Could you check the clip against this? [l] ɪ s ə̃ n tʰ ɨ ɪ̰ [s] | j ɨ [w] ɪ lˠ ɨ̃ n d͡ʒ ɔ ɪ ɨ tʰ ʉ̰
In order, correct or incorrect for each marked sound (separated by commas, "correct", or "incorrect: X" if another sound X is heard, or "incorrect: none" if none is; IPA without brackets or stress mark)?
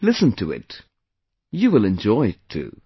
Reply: correct, incorrect: t, correct